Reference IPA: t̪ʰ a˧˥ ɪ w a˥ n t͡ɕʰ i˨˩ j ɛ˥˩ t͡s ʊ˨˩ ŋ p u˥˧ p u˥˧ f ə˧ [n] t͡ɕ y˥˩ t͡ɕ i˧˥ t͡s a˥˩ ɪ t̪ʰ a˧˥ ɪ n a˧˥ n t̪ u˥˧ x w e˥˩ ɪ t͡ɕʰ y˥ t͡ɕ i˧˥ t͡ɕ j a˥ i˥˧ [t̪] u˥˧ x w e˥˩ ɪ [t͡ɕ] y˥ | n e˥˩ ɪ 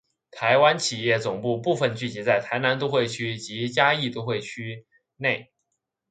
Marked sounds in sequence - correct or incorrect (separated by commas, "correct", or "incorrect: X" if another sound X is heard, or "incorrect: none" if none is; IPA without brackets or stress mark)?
correct, correct, incorrect: t͡ɕʰ